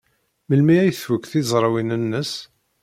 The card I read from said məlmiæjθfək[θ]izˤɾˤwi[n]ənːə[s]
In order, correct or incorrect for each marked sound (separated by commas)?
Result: correct, correct, correct